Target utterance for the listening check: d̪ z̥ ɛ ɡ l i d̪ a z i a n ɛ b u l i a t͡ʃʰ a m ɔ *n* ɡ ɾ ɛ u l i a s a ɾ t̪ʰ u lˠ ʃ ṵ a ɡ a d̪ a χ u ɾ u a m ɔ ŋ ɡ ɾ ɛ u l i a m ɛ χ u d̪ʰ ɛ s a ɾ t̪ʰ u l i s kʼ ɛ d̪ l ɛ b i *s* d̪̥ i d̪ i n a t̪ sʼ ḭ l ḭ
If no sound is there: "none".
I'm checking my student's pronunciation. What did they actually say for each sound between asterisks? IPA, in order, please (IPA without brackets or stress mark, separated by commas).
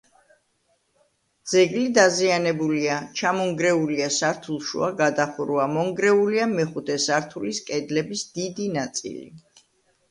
ŋ, s